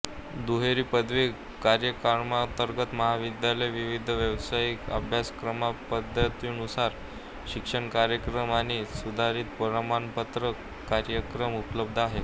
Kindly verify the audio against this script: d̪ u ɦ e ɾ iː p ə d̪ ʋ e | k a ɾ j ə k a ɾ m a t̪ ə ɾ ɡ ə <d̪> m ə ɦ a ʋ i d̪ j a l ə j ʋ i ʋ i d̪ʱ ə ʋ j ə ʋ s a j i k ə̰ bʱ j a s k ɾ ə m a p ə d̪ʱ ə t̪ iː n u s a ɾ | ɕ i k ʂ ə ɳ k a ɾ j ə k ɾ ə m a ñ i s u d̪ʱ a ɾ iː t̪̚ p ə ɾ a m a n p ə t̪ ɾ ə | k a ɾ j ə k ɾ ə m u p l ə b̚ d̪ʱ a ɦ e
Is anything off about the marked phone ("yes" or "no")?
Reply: yes